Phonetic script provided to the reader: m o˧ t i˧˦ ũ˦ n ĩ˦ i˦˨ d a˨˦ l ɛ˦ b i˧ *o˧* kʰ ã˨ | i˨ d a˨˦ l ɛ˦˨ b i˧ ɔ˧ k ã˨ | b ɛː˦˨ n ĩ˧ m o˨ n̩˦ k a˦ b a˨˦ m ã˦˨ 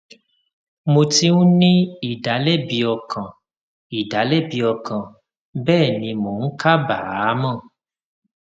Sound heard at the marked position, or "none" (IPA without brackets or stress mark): ɔ˧